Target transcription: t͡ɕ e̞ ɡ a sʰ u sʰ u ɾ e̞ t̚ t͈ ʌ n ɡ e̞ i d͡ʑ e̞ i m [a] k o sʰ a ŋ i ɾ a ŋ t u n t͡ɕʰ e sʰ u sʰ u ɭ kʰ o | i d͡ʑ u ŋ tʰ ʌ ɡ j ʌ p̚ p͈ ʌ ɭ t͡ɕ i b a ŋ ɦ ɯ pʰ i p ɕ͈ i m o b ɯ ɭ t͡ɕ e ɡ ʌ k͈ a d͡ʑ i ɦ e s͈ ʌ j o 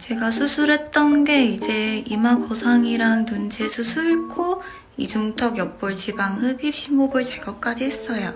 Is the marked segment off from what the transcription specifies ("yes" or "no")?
no